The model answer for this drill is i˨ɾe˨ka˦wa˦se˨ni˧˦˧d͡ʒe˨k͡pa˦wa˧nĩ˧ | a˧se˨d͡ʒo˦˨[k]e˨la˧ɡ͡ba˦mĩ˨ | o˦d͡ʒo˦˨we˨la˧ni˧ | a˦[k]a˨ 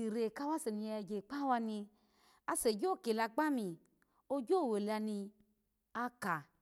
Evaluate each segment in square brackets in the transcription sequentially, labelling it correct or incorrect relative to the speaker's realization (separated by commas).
correct, correct